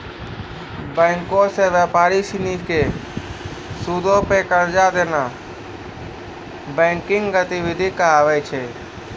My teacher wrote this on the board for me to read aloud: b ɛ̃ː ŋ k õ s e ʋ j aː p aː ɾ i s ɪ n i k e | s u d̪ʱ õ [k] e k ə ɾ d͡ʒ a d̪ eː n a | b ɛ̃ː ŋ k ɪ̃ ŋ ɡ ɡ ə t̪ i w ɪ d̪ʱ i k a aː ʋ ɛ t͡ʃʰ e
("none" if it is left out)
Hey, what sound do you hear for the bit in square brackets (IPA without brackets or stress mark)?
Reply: p